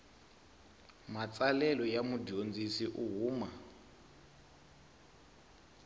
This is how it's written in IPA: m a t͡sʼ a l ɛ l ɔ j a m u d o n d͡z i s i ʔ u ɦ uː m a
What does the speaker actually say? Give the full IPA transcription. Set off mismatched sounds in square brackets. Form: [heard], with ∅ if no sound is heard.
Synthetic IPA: m a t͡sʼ a l ɛ l ɔ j a m u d o n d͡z i s i ʔ u ɦ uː m a